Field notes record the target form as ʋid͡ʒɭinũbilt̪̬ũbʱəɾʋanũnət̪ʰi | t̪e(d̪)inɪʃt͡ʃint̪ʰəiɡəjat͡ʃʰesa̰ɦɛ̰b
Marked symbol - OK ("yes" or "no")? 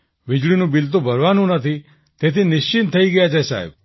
no